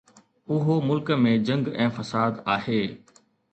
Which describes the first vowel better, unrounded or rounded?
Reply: rounded